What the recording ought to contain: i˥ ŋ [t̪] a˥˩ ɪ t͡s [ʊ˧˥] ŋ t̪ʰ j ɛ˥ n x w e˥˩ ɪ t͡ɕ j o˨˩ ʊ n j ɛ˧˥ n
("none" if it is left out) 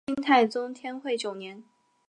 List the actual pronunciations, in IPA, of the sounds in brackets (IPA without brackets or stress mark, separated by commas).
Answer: t̪ʰ, ʊ˥